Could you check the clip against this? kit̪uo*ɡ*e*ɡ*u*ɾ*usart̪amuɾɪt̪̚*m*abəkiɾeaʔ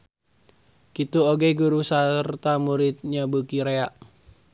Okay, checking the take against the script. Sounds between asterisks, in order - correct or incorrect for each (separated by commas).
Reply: correct, correct, correct, incorrect